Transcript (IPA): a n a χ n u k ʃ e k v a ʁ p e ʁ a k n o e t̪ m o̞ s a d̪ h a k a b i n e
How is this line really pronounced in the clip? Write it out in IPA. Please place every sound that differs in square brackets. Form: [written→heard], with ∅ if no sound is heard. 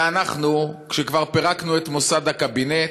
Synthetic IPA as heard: a n a χ n u k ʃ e k v a ʁ p e ʁ a k n [o→u] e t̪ m o̞ s a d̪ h a k a b i n e